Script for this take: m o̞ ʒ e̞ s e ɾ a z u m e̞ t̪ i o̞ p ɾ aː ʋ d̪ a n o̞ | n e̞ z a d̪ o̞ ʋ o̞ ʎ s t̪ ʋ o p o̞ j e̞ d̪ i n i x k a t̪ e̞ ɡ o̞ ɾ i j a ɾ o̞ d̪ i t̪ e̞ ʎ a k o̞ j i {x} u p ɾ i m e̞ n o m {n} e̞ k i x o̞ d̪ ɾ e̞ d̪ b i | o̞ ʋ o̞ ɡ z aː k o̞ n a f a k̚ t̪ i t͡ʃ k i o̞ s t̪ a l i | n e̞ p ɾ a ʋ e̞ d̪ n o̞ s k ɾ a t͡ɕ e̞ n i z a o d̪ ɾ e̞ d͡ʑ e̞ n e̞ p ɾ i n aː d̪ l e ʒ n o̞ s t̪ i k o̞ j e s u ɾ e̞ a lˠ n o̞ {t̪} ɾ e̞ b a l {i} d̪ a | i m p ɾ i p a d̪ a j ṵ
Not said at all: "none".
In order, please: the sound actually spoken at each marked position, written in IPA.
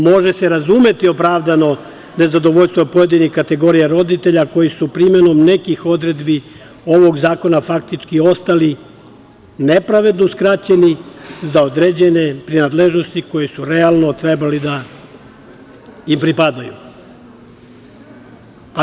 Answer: s, n, t̪, i

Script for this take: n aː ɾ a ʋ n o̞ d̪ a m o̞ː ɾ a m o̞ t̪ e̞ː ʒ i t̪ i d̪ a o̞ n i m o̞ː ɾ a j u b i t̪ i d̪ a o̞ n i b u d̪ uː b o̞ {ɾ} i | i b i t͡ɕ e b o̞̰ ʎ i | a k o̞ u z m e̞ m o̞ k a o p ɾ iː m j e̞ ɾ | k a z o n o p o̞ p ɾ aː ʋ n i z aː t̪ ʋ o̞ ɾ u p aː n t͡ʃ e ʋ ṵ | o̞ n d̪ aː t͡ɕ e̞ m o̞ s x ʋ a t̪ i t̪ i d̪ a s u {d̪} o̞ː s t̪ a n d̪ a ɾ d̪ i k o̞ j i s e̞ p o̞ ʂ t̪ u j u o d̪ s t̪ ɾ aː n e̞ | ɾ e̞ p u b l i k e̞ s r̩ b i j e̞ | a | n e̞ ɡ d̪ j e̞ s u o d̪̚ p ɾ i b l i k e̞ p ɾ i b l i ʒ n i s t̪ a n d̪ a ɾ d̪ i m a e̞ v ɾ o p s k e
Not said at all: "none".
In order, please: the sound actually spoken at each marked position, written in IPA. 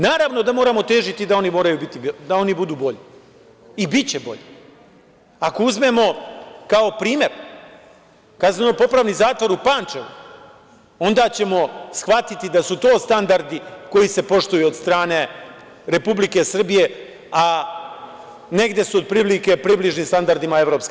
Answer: ʎ, t̪

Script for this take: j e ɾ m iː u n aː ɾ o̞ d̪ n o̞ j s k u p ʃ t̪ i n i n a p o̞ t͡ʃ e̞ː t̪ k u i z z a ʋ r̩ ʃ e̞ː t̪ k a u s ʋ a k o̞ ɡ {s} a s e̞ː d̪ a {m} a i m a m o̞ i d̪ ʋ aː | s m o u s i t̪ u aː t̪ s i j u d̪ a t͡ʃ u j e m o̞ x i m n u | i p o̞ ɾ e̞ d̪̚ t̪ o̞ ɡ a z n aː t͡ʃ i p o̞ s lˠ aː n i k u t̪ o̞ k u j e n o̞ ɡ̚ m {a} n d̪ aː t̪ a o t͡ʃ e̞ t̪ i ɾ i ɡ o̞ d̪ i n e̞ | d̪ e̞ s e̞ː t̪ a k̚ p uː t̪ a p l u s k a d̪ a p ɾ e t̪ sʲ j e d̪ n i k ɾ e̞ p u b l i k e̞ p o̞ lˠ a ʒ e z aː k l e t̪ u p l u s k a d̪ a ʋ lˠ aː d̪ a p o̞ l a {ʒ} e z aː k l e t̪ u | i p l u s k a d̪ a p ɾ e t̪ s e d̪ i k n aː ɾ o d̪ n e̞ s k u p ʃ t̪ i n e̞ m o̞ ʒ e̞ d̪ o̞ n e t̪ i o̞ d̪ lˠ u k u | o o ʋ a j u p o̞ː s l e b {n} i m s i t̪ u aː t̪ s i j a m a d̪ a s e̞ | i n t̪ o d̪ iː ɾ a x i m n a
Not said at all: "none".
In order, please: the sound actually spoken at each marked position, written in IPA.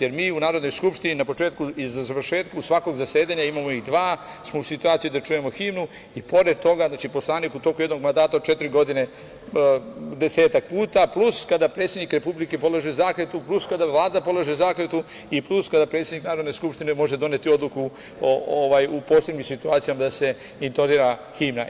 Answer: z, ɲ, a, ʒ, ɲ

